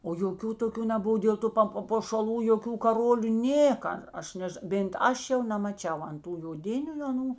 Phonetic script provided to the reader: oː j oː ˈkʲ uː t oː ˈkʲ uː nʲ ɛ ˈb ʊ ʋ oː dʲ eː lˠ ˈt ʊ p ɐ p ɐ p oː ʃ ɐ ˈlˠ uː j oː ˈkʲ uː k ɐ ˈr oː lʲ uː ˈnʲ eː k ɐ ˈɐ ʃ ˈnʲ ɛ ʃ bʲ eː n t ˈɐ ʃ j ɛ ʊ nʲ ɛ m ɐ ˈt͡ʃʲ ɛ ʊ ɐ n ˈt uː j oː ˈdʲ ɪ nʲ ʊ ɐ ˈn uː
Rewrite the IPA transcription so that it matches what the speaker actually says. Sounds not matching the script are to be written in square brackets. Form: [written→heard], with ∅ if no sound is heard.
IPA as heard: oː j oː ˈkʲ uː t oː ˈkʲ uː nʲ ɛ ˈb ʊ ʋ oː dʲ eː lˠ ˈt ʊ p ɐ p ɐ p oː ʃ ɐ ˈlˠ uː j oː ˈkʲ uː k ɐ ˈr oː lʲ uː ˈnʲ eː k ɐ ˈɐ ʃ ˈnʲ ɛ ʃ bʲ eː n t ˈɐ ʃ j ɛ ʊ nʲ ɛ m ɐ ˈt͡ʃʲ ɛ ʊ ɐ n ˈt uː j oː ˈdʲ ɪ nʲ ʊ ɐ ˈn uː